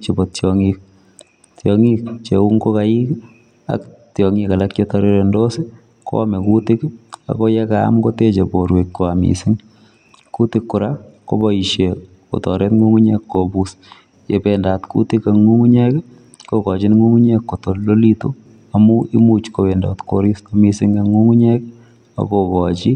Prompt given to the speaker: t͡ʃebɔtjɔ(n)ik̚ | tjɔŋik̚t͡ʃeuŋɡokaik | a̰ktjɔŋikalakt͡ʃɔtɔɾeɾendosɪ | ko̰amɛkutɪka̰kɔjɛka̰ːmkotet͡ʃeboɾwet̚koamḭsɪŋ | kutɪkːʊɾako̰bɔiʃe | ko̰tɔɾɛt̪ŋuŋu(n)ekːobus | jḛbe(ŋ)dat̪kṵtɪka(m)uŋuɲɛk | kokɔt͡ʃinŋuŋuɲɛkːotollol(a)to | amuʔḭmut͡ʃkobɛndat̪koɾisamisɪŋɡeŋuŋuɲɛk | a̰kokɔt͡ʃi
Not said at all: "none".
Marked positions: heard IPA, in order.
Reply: ŋ, ɲ, n, ŋ, i

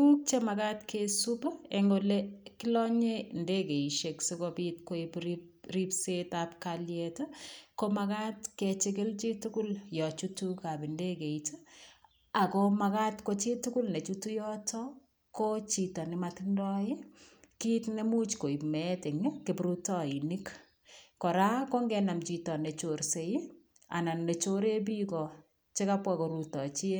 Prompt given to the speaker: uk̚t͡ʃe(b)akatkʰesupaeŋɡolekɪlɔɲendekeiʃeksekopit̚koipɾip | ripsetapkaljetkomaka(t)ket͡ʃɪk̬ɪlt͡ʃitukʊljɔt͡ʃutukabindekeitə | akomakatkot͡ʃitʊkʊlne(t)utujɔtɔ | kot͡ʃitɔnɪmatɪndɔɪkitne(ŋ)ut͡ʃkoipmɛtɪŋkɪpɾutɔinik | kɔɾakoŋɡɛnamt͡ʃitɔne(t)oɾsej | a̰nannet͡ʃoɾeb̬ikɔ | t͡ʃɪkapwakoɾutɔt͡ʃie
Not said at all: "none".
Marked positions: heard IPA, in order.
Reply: m, t, t͡ʃ, m, t͡ʃ

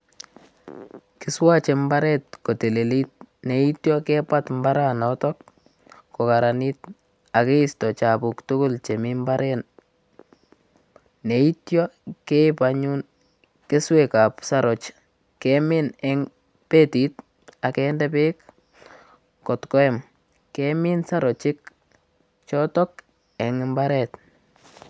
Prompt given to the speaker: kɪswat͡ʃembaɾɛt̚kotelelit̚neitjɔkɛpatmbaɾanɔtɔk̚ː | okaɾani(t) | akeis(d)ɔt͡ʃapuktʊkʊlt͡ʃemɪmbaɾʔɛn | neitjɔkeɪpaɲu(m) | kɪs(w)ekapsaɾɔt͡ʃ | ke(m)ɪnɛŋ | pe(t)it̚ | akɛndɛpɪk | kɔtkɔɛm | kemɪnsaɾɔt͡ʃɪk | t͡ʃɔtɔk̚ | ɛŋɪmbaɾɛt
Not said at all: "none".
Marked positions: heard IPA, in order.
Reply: t, t, n, w, m, t

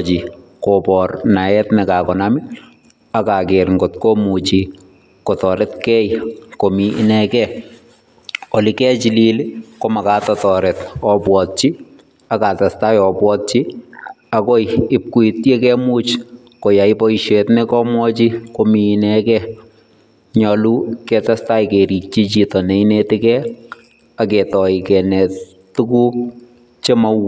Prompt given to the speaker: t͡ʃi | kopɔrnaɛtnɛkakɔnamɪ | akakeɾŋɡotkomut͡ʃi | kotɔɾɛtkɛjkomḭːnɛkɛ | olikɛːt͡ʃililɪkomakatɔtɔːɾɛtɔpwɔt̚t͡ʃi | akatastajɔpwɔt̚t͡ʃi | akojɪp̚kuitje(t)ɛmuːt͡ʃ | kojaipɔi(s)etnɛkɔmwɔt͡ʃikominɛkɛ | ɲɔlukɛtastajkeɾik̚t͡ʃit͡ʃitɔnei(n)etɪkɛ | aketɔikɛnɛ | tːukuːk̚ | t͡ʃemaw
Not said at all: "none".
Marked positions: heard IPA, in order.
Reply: k, ʃ, n

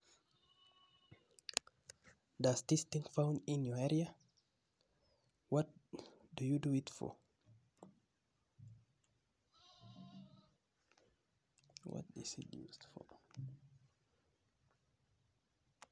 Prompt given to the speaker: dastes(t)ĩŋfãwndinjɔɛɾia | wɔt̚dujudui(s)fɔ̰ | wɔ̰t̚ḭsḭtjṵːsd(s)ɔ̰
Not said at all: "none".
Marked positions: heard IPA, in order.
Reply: t, t, f

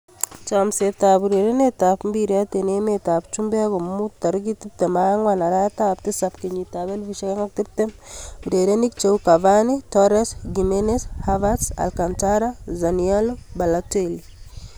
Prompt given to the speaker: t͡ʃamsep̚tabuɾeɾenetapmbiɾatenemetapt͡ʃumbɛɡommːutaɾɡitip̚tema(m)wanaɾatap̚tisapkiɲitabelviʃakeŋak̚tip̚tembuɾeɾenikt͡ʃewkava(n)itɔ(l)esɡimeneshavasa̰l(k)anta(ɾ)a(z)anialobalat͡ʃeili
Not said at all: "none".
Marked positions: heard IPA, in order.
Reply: ŋ, n, ɾ, k, ɾ, z

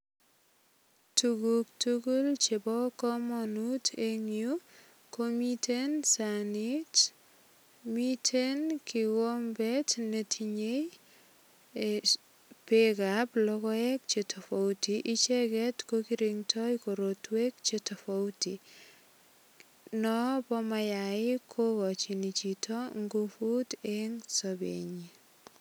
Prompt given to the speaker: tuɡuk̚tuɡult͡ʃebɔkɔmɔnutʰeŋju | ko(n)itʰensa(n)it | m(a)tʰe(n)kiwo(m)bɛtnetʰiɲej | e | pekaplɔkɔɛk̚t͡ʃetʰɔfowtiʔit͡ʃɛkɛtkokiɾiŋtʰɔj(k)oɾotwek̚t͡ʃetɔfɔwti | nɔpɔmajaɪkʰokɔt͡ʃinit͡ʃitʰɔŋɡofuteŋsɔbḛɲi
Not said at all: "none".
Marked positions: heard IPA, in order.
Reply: m, n, i, n, m, k

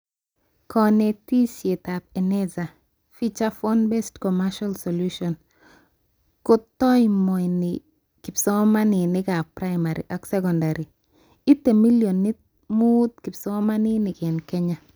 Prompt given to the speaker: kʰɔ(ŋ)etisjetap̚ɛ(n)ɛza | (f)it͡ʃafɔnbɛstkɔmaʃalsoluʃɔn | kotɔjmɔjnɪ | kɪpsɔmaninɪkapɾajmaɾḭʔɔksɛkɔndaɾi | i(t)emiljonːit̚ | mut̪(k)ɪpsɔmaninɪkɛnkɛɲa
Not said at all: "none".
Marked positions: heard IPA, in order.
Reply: n, n, f, t, k

